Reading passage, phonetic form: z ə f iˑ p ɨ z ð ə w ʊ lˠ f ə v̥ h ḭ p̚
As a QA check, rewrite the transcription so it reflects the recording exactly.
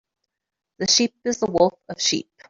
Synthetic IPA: ð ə ʃ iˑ p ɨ z ð ə w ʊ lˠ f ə v̥ ʃ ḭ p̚